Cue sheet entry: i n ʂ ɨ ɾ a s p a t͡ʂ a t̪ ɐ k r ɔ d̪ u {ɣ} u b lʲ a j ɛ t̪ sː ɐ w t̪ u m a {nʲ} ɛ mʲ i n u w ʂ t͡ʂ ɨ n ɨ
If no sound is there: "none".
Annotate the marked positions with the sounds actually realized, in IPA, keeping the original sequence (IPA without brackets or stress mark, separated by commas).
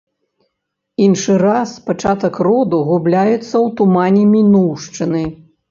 ɣ, nʲ